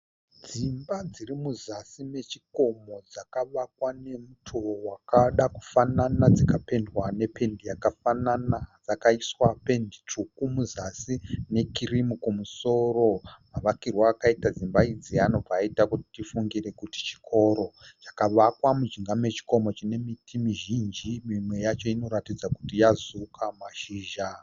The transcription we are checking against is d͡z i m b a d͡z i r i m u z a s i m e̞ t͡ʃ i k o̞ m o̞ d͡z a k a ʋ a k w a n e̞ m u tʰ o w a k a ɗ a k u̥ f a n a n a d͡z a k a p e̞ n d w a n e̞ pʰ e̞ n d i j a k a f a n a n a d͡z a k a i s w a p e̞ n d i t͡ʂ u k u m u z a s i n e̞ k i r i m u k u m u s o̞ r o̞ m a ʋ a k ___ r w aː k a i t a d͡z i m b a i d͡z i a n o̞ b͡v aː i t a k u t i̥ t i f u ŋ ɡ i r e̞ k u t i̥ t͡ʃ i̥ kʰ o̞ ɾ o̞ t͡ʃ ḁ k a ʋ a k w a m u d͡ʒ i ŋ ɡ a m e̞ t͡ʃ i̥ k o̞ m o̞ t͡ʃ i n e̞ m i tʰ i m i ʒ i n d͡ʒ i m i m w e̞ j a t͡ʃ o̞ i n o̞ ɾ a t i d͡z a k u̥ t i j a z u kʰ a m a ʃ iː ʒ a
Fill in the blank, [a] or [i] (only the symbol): i